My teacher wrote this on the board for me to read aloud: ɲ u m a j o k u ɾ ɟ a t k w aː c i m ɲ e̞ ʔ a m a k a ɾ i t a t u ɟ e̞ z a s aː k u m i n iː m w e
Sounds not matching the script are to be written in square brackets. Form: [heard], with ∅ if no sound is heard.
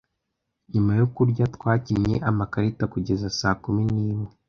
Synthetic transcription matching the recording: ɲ u m a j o k u ɾ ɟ a t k w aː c i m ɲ e̞ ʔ a m a k a ɾ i t a [k] u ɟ e̞ z a s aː k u m i n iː m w e